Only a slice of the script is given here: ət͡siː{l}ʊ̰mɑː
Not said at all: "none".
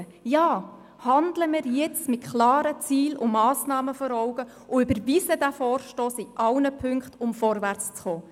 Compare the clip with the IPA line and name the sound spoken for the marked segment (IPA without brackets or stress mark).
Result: l